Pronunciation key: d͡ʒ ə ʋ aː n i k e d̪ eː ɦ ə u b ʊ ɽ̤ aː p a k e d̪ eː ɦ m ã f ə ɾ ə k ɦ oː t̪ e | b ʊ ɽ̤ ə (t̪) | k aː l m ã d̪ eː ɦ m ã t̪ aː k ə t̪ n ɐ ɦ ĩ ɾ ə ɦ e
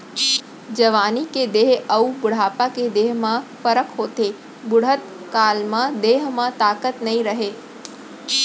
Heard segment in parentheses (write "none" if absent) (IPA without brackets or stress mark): t̪